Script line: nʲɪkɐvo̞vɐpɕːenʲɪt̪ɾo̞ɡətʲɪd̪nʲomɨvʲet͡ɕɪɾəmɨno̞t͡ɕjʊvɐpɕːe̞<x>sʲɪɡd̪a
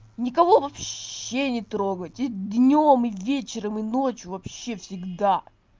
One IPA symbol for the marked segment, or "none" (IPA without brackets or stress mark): f